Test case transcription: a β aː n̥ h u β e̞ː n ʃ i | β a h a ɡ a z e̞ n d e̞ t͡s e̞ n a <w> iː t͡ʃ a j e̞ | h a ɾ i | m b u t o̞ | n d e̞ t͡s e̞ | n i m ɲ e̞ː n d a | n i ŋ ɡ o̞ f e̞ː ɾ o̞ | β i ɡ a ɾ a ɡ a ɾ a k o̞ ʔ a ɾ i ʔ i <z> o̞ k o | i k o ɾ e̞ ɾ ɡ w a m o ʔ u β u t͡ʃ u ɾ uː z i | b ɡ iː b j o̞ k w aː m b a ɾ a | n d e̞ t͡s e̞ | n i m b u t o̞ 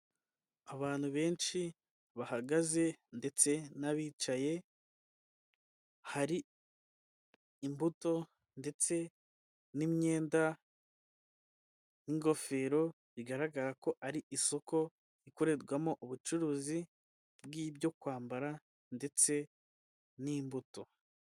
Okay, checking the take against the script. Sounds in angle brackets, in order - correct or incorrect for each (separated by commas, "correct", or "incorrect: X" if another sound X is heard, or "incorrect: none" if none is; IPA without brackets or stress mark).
incorrect: β, incorrect: s